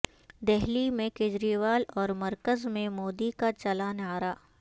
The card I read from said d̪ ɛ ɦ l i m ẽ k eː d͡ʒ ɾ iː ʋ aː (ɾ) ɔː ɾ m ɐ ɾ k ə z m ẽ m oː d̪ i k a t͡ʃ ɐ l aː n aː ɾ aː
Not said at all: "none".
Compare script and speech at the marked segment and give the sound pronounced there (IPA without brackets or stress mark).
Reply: l